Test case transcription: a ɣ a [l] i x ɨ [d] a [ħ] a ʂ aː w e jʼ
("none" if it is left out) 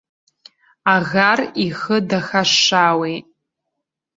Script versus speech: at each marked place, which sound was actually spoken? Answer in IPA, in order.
r, d, x

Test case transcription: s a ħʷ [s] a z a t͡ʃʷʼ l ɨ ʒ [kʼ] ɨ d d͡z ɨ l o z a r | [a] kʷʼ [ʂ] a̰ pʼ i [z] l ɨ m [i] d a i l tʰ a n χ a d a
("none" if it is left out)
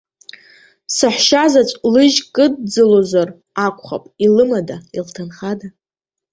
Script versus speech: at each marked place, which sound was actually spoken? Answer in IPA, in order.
ʃ, kʼ, a, χ, none, a

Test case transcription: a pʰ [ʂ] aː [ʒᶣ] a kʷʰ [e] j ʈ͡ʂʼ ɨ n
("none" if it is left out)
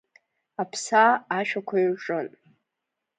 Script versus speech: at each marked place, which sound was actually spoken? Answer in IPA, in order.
s, ʃᶣ, a

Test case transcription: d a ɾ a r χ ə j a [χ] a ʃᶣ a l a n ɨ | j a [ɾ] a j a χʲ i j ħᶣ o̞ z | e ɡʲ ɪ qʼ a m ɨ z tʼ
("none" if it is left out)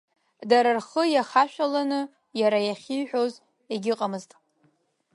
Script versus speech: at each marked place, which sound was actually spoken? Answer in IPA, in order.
χ, ɾ

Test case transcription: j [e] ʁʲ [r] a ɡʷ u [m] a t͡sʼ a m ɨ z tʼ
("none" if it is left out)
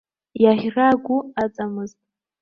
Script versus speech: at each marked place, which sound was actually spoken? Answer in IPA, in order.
a, r, none

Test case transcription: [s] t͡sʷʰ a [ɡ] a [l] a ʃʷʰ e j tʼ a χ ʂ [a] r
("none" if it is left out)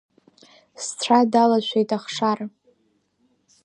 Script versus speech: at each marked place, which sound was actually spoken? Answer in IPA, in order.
s, d, l, a

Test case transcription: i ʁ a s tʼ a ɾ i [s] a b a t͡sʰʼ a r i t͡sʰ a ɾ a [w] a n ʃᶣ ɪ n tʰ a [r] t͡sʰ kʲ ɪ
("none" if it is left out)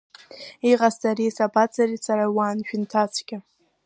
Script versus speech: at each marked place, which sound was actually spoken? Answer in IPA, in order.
s, w, none

